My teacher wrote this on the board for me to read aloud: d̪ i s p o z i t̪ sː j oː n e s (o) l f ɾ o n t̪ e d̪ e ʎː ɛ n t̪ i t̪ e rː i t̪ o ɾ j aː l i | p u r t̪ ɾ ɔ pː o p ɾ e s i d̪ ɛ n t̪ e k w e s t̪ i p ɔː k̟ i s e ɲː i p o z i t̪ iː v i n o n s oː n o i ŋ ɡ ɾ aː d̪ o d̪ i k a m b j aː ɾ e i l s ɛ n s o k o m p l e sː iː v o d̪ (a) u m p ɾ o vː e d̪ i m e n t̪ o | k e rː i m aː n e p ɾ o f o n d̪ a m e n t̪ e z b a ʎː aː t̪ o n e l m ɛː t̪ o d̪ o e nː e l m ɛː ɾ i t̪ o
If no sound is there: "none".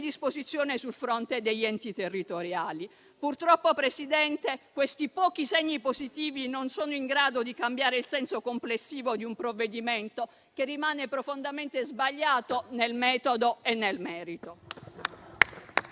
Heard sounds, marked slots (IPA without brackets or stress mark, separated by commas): u, i